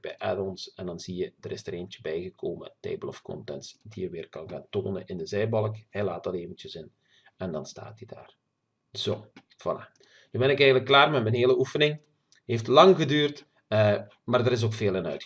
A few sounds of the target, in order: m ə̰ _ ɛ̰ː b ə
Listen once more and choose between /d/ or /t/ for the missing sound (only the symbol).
t